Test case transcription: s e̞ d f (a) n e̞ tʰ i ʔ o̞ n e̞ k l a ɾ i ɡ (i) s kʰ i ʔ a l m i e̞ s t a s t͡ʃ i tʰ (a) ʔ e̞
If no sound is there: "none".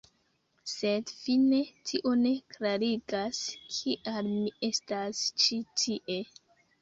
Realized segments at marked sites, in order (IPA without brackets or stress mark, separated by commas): i, a, i